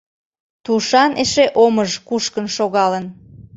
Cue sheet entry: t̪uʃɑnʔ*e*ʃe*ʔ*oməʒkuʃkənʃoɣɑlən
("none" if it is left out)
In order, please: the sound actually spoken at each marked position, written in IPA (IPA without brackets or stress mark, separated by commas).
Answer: e, ʔ